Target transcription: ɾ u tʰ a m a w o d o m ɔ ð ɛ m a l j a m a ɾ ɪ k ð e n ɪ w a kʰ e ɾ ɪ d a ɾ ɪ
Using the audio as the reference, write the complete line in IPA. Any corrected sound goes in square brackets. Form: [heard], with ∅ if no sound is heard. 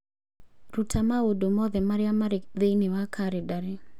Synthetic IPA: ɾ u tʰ a m a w o d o m ɔ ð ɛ m a [ɾ] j a m a ɾ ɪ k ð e n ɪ w a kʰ [a] ɾ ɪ d a ɾ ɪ